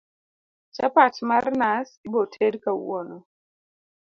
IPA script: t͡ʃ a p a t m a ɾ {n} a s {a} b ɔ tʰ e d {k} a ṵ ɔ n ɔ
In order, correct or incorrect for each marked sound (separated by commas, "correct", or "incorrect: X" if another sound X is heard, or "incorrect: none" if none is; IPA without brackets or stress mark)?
correct, incorrect: i, correct